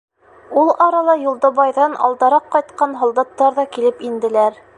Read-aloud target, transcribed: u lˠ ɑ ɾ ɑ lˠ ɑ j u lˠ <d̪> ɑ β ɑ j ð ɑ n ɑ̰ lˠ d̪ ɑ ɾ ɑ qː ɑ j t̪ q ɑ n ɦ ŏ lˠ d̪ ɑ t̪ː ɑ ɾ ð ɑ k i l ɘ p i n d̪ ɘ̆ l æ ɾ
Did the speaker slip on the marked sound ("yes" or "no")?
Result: no